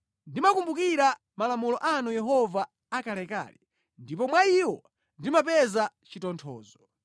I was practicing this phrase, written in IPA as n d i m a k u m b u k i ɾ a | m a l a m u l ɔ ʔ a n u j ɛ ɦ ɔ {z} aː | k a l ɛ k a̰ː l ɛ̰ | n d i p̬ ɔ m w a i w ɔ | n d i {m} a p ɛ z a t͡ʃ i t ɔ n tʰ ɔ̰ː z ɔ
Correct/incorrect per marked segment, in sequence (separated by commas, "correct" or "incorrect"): incorrect, correct